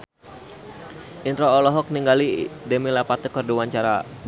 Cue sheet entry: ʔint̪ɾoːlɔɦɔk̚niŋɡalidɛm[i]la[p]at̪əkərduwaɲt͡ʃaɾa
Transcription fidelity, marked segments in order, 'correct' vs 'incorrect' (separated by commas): correct, correct